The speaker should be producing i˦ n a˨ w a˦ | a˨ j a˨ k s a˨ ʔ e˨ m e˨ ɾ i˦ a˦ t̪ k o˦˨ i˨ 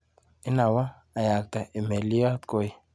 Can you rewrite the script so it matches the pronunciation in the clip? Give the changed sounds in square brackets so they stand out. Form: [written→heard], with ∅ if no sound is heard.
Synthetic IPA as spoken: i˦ n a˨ w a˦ | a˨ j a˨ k [s→t] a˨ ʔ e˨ m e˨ [ɾ→l] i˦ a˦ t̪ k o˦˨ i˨